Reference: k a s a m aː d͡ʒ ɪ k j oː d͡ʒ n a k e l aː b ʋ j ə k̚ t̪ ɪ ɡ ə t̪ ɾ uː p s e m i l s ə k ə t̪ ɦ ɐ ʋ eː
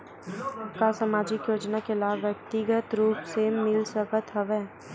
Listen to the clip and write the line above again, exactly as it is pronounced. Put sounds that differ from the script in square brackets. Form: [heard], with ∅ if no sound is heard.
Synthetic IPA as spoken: k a s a m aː d͡ʒ ɪ k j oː d͡ʒ n a k e l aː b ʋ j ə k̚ t̪ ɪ ɡ ə t̪ ɾ uː p s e m [ɪ] l s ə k ə t̪ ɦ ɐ ʋ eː